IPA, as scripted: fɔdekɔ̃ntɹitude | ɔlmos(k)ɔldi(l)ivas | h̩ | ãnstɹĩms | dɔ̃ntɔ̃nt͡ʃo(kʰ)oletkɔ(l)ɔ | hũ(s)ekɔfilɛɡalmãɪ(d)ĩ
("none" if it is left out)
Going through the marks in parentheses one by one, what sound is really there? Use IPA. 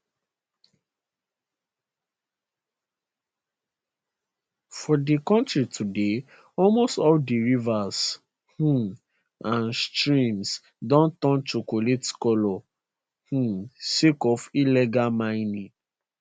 t, ɹ, k, l, s, n

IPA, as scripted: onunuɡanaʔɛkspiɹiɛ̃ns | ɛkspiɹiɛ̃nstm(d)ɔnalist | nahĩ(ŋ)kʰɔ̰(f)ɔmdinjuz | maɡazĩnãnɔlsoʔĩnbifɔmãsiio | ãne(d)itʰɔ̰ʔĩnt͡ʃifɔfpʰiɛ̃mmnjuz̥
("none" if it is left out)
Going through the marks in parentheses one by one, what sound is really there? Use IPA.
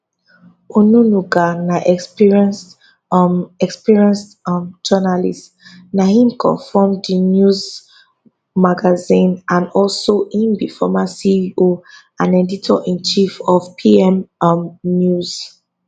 d͡ʒ, m, f, d

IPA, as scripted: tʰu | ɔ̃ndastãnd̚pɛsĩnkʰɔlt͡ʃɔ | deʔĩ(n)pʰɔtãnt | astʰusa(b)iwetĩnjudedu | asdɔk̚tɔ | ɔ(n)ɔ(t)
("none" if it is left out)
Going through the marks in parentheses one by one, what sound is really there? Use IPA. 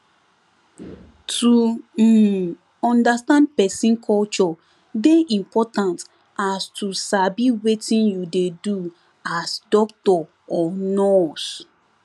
m, b, n, s

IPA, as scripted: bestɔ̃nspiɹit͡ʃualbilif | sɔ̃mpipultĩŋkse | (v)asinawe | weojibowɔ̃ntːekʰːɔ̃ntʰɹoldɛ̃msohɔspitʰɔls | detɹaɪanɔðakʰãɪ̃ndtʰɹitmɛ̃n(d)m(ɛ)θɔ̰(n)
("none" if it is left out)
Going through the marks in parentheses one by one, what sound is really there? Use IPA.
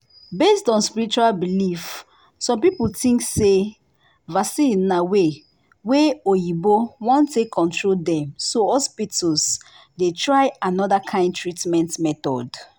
v, t, ɛ, d

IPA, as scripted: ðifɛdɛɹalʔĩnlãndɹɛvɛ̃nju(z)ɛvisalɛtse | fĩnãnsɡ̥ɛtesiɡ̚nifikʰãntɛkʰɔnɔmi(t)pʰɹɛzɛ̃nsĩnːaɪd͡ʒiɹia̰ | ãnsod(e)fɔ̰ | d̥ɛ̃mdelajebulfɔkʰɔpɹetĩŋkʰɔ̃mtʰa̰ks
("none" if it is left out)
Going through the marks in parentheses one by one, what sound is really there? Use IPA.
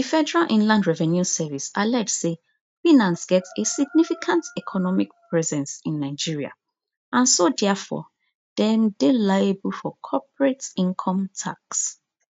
s, k, ɛ

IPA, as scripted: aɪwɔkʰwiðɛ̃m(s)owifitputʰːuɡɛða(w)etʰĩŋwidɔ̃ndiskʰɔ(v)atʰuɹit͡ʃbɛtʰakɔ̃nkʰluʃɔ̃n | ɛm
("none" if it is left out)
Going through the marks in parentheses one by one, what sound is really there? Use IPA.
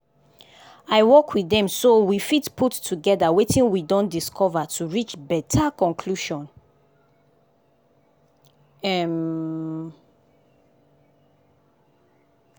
s, w, v

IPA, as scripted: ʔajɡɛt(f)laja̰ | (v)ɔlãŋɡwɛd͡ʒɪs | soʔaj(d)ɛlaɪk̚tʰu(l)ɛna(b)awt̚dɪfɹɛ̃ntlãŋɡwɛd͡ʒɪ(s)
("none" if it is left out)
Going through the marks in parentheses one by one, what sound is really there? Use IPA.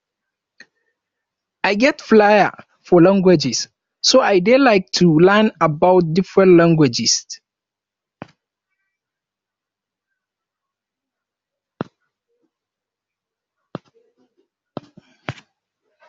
f, f, d, l, b, s

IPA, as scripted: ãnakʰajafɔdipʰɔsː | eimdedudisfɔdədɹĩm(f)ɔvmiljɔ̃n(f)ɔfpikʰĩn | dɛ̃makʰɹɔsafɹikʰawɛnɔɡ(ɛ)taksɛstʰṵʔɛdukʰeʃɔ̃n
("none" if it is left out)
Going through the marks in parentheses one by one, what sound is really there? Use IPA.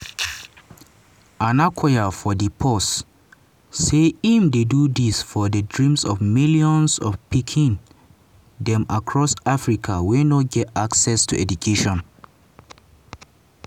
s, s, ɛ

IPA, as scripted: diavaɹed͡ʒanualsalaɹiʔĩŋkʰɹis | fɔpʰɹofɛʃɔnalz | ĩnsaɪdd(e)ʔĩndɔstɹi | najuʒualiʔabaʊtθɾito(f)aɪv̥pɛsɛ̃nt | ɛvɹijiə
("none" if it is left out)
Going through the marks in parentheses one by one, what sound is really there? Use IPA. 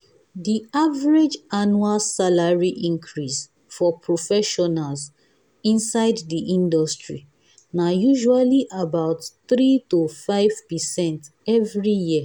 i, f

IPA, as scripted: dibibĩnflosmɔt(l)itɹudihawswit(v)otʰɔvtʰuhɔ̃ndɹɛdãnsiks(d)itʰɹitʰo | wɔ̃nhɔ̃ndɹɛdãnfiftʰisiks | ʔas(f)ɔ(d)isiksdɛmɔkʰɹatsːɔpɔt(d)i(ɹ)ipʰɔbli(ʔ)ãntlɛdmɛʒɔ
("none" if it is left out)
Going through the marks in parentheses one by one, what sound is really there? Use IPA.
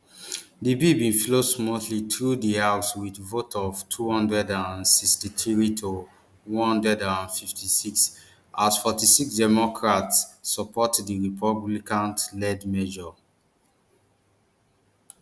l, v, t, f, t, d, ɹ, k

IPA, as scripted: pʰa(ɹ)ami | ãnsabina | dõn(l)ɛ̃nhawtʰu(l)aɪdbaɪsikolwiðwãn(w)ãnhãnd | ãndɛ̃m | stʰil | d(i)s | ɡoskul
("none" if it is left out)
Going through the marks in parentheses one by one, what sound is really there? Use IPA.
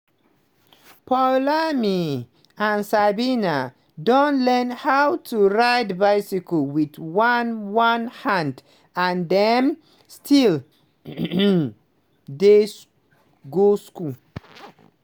l, l, ɹ, w, e

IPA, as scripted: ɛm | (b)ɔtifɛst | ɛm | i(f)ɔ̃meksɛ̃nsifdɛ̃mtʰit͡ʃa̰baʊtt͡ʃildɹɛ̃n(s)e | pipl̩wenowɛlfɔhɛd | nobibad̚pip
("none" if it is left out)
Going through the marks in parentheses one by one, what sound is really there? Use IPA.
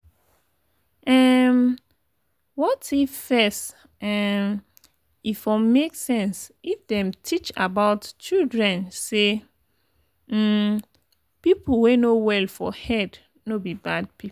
w, f, s

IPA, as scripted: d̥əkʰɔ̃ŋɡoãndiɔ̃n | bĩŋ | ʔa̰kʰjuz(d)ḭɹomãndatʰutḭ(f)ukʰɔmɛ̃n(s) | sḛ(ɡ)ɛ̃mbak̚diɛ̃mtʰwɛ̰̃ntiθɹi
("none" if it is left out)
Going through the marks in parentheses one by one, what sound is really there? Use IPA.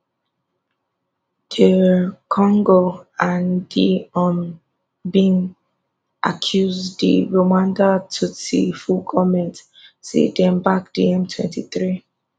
d, f, t, d

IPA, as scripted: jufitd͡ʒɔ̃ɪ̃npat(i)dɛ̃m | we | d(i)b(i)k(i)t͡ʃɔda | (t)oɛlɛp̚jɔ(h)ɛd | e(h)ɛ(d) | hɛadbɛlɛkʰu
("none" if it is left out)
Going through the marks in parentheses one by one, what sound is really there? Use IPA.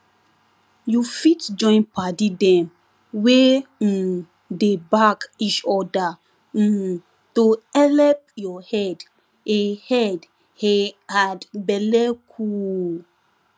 i, e, a, i, t, h, h, d

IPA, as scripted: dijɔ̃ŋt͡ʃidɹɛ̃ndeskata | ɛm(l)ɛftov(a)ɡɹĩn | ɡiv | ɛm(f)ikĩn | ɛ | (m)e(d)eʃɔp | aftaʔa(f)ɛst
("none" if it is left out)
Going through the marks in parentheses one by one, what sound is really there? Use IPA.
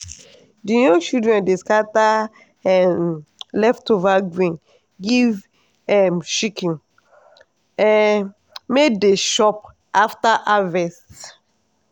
l, a, ʃ, m, d, v

